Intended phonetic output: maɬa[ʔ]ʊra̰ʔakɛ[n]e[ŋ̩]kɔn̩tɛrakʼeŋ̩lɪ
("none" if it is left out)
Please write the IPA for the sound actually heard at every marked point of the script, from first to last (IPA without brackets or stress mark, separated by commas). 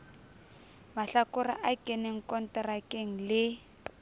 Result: k, n, ŋ̩